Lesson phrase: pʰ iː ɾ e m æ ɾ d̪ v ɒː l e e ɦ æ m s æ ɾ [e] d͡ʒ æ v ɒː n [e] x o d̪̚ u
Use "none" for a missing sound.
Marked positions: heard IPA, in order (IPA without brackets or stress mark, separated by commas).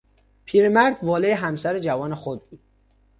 e, e